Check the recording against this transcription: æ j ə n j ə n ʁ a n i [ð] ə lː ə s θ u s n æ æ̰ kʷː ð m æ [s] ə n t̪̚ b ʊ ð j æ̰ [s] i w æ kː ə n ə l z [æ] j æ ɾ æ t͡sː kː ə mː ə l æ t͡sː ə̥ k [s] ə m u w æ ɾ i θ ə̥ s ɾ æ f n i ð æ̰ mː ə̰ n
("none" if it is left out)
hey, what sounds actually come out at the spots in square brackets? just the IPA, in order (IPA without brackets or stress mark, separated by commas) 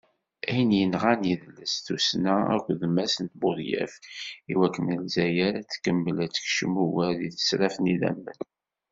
ð, s, f, æ, ʃ